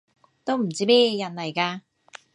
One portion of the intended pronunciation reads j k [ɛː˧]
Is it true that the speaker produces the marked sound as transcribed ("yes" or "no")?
no